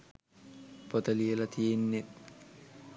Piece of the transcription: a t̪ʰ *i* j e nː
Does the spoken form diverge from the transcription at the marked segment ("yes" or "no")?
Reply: no